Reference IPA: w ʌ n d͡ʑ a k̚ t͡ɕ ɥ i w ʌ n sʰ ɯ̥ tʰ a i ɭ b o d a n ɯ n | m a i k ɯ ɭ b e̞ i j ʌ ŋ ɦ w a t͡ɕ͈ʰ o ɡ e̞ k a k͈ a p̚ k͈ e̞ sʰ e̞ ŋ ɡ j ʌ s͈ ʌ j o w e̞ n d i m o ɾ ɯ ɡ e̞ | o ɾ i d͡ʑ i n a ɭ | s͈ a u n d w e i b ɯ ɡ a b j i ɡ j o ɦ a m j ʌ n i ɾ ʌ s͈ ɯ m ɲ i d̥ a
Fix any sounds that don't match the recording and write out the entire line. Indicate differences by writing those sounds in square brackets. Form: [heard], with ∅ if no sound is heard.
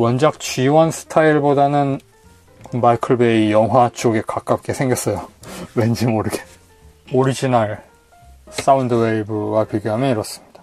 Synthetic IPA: w ʌ n d͡ʑ a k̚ t͡ɕ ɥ i w ʌ n sʰ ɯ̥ tʰ a i ɭ b o d a n ɯ n | m a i [kʰ] ɯ ɭ b e̞ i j ʌ ŋ ɦ w a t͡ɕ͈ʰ o ɡ e̞ k a k͈ a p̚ k͈ e̞ sʰ e̞ ŋ ɡ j ʌ s͈ ʌ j o w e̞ n [d͡ʑ] i m o ɾ ɯ ɡ e̞ | o ɾ i d͡ʑ i n a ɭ | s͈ a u n d w e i b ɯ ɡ a [p] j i ɡ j o ɦ a m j ʌ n i ɾ ʌ s͈ ɯ m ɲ i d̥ a